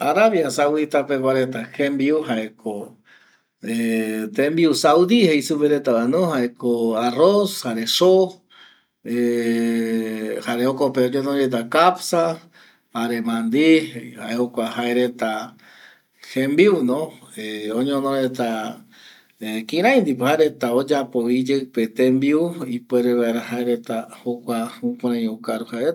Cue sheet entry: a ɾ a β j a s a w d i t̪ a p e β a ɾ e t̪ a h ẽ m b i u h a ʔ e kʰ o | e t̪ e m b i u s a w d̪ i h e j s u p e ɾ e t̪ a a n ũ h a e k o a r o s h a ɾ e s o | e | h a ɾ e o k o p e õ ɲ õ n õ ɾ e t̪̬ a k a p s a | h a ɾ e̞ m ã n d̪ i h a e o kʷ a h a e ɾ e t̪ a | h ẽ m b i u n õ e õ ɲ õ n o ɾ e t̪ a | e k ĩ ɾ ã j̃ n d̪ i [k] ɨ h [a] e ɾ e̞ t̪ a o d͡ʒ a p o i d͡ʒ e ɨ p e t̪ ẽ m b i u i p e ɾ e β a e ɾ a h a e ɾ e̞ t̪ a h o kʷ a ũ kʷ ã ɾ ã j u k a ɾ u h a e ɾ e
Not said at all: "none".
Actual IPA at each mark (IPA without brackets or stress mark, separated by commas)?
p, a